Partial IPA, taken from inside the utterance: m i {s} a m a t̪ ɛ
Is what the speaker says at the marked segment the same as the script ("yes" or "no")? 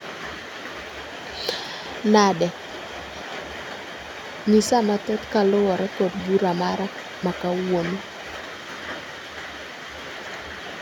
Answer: yes